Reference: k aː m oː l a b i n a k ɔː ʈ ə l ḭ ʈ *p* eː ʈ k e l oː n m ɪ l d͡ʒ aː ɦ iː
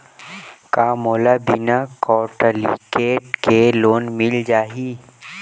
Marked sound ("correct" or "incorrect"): incorrect